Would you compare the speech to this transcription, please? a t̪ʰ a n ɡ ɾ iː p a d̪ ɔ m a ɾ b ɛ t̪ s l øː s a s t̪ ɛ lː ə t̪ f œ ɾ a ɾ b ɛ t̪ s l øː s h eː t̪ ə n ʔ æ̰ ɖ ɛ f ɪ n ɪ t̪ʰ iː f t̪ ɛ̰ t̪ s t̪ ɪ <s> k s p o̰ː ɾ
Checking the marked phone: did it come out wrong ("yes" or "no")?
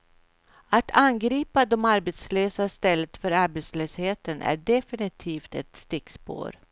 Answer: yes